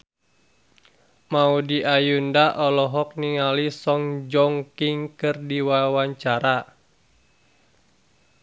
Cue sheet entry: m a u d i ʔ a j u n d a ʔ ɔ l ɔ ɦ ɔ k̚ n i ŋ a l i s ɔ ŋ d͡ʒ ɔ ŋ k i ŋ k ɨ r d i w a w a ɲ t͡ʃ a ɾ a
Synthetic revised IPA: m a u d i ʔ a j u n d a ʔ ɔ l ɔ ɦ ɔ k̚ n i ŋ a l i s ɔ ŋ d͡ʒ ɔ ŋ k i ŋ k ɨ r d i w a w a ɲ t͡ʃ a ɾ a